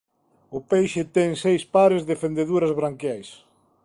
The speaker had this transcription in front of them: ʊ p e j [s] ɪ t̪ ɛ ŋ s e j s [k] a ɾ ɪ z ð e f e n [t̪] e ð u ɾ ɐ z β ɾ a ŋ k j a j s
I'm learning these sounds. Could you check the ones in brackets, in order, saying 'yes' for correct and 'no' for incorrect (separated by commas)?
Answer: no, no, no